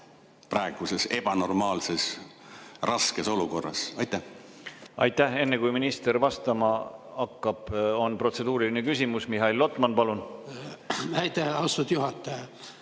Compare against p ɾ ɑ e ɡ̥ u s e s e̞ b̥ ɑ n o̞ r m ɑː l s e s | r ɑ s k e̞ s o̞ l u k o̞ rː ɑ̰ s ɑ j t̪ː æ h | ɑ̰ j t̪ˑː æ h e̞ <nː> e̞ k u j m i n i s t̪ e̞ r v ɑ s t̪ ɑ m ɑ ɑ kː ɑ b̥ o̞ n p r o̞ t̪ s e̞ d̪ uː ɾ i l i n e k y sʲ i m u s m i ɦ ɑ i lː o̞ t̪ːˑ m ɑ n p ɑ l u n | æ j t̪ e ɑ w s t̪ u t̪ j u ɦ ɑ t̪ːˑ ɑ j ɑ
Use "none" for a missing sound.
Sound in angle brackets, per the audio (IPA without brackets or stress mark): nː